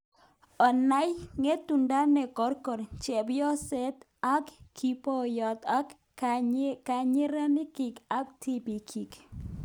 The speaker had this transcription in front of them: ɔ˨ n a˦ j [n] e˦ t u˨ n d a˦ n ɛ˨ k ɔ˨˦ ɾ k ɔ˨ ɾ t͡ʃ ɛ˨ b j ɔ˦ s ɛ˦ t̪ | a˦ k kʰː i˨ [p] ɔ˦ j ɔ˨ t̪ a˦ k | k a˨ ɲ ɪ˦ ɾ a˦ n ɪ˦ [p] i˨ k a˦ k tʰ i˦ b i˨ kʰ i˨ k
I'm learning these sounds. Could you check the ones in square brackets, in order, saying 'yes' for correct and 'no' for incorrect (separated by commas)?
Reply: no, yes, no